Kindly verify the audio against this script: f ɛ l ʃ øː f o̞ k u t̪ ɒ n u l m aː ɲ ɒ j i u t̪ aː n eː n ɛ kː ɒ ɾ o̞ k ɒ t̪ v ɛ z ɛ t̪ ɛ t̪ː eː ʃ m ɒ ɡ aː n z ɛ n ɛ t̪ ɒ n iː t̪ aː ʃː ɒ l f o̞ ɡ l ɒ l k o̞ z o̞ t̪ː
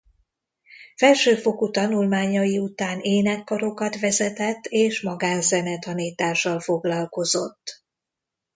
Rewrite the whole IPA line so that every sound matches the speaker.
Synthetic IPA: f ɛ l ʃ øː f o̞ k u t̪ ɒ n u l m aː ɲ ɒ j i u t̪ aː n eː n ɛ kː ɒ ɾ o̞ k ɒ t̪ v ɛ z ɛ t̪ ɛ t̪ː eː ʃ m ɒ ɡ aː n z ɛ n ɛ t̪ ɒ n iː t̪ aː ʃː ɒ l f o̞ ɡ l ɒ l k o̞ z o̞ t̪ː

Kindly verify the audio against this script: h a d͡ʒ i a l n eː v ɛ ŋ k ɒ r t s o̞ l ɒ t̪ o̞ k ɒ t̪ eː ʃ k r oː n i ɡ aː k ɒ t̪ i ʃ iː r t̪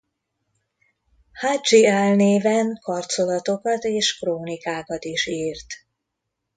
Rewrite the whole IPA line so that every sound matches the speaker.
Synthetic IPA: h a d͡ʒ i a l n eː v ɛ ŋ k ɒ r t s o̞ l ɒ t̪ o̞ k ɒ t̪ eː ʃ k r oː n i k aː k ɒ t̪ i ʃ iː r t̪

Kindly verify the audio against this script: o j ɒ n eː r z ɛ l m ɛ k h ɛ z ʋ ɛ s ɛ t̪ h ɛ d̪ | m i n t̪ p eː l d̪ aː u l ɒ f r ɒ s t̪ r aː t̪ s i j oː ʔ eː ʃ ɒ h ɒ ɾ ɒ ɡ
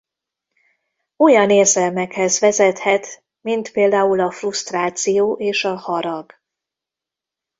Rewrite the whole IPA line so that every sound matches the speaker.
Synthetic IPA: o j ɒ n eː r z ɛ l m ɛ k h ɛ z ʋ ɛ z ɛ t̪ h ɛ t̪ | m i n t̪ p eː l d̪ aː u l ɒ f r u s t̪ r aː t̪ s i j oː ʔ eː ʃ ɒ h ɒ ɾ ɒ ɡ

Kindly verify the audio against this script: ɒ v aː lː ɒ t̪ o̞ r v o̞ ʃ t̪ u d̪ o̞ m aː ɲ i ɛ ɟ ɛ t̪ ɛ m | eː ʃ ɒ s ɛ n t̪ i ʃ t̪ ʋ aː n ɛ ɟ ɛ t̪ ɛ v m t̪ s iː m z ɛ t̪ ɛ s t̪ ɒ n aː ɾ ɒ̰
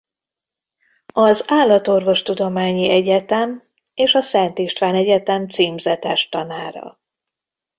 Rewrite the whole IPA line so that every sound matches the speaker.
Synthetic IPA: ɒ z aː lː ɒ t̪ o̞ r v o̞ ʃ t̪ u d̪ o̞ m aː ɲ i ɛ ɟ ɛ t̪ ɛ m | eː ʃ ɒ s ɛ n t̪ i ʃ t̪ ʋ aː n ɛ ɟ ɛ t̪ ɛ m t̪ s iː m z ɛ t̪ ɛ ʃ t̪ ɒ n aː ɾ ɒ̰

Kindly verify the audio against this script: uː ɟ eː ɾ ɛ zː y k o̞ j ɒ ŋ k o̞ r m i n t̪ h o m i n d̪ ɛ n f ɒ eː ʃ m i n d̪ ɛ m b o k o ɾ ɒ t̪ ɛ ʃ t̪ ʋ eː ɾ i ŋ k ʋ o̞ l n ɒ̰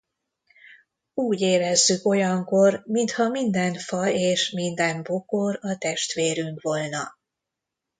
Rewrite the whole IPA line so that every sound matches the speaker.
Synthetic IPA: uː ɟ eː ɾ ɛ zː y k o̞ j ɒ ŋ k o̞ r m i n t̪ h ɒ m i n d̪ ɛ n f ɒ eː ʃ m i n d̪ ɛ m b o k o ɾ ɒ t̪ ɛ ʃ t̪ ʋ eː ɾ y ŋ k ʋ o̞ l n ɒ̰

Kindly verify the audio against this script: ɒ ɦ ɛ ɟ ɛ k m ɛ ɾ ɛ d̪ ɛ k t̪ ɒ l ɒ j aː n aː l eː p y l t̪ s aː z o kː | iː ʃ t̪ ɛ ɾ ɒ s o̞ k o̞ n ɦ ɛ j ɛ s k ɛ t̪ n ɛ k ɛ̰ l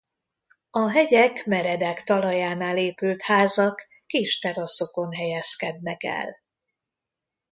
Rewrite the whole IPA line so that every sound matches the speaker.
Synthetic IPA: ɒ ɦ ɛ ɟ ɛ k m ɛ ɾ ɛ d̪ ɛ k t̪ ɒ l ɒ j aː n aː l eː p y l t̪ h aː z ɒ kː | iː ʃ t̪ ɛ ɾ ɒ s o̞ k o̞ n ɦ ɛ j ɛ s k ɛ d̪ n ɛ k ɛ̰ l

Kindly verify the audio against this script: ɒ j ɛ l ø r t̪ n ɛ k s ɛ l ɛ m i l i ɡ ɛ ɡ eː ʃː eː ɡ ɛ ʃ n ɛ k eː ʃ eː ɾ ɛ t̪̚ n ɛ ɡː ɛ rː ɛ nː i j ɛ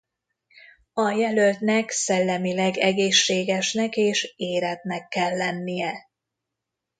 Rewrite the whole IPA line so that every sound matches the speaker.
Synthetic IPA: ɒ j ɛ l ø l t̪ n ɛ k s ɛ lː ɛ m i l ɛ ɡ ɛ ɡ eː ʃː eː ɡ ɛ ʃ n ɛ k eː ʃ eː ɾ ɛ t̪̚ n ɛ kː ɛ lː ɛ nː i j ɛ

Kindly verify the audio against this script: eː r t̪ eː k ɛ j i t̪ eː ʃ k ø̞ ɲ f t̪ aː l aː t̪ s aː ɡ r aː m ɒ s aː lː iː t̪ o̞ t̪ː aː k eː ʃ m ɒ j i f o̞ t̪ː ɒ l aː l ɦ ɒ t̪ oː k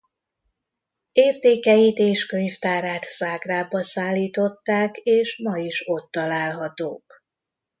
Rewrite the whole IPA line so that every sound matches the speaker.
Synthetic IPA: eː r t̪ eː k ɛ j i t̪ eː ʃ k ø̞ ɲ f t̪ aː ɾ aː t̪ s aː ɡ r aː b ɒ s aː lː iː t̪ o̞ t̪ː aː k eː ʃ m ɒ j i ʃ o̞ t̪ː ɒ l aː l ɦ ɒ t̪ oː k

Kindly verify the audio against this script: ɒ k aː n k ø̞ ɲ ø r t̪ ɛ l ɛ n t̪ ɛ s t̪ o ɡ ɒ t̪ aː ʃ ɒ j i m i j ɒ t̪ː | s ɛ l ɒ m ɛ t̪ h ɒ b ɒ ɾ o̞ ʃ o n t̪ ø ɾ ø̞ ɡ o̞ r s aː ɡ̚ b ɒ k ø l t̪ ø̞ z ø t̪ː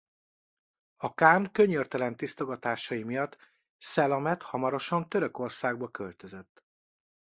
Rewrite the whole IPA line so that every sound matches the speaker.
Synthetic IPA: ɒ k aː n k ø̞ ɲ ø r t̪ ɛ l ɛ n t̪ i s t̪ o ɡ ɒ t̪ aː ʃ ɒ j i m i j ɒ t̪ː | s ɛ l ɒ m ɛ t̪ h ɒ m ɒ ɾ o̞ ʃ ɒ n t̪ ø ɾ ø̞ k o̞ r s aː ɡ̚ b ɒ k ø l t̪ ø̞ z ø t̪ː

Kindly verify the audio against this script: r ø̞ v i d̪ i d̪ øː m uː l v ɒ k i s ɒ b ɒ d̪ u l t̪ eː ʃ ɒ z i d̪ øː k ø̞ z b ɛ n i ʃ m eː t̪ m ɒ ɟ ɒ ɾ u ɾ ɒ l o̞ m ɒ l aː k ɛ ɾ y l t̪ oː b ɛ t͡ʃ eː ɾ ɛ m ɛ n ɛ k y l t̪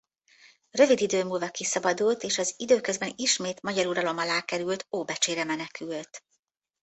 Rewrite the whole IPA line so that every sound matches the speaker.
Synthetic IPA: r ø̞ v i d̪ i d̪ øː m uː l v ɒ k i s ɒ b ɒ d̪ u l t̪ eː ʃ ɒ z i d̪ øː k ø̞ z b ɛ n i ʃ m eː t̪ m ɒ ɟ ɒ ɾ u ɾ ɒ l o̞ m ɒ l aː k ɛ ɾ y l t̪ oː b ɛ t͡ʃ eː ɾ ɛ m ɛ n ɛ k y l t̪

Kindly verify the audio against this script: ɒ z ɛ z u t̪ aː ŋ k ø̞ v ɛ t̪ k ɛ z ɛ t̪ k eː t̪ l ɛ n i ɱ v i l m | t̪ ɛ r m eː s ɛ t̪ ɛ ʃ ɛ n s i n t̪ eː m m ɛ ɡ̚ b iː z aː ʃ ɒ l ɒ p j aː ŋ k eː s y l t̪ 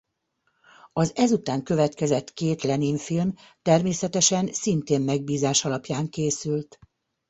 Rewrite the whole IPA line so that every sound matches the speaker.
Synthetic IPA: ɒ z ɛ z u t̪ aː ŋ k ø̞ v ɛ t̪ k ɛ z ɛ t̪ k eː t̪ l ɛ n i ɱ f i l m | t̪ ɛ r m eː s ɛ t̪ ɛ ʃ ɛ n s i n t̪ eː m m ɛ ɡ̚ b iː z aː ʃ ɒ l ɒ p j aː ŋ k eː s y l t̪

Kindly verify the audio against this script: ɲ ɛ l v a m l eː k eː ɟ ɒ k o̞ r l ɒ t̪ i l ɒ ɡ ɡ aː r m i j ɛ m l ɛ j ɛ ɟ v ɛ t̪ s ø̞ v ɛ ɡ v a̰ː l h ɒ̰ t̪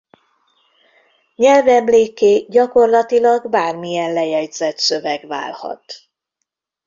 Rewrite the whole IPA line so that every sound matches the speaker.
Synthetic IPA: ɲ ɛ l v ɛ m l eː k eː ɟ ɒ k o̞ r l ɒ t̪ i l ɒ ɡ b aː r m i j ɛ n l ɛ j ɛ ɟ z ɛ t̪ s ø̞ v ɛ ɡ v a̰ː l h ɒ̰ t̪

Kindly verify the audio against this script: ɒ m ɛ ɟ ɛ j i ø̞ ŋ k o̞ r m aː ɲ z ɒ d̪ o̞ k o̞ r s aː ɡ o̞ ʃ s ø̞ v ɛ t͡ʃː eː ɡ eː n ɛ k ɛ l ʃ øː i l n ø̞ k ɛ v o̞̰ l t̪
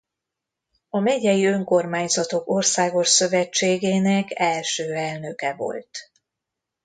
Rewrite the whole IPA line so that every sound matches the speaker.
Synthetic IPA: ɒ m ɛ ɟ ɛ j i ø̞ ŋ k o̞ r m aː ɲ z ɒ t̪ o̞ k o̞ r s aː ɡ o̞ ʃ s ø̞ v ɛ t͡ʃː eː ɡ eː n ɛ k ɛ l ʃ øː ɛ l n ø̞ k ɛ v o̞̰ l t̪

